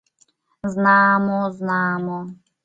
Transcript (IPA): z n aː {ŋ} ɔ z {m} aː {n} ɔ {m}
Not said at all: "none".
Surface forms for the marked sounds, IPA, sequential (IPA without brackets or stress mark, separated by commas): m, n, m, none